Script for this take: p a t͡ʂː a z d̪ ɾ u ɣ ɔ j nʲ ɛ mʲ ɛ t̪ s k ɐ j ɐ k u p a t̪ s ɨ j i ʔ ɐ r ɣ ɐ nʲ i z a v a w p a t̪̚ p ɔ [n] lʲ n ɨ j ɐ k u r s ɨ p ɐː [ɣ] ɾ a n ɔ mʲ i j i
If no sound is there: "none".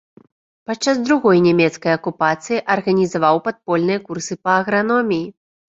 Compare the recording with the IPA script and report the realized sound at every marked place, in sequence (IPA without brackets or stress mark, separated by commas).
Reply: none, ɣ